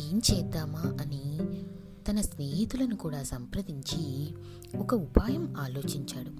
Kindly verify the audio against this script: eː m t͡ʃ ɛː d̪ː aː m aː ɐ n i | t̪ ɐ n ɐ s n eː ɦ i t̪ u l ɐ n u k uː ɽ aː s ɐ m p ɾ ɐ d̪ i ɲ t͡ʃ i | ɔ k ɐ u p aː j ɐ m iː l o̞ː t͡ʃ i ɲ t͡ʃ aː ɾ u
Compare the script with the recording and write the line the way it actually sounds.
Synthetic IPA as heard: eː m t͡ʃ ɛː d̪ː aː m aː ɐ n i | t̪ ɐ n ɐ s n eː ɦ i t̪ u l ɐ n u k uː ɽ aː s ɐ m p ɾ ɐ d̪ i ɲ t͡ʃ i | ɔ k ɐ u p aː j ɐ m aː l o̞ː t͡ʃ i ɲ t͡ʃ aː ɽ u